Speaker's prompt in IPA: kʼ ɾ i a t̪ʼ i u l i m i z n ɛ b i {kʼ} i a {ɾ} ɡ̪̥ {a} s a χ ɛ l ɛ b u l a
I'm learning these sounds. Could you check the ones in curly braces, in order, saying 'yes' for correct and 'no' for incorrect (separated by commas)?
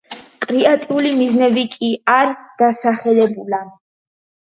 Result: yes, yes, yes